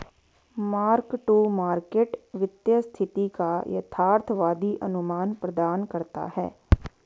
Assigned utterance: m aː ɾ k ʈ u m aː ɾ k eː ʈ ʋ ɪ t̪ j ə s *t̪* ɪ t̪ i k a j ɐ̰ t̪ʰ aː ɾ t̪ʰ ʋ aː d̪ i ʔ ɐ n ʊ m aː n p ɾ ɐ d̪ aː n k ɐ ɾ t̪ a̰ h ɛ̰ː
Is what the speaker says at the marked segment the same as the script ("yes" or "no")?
no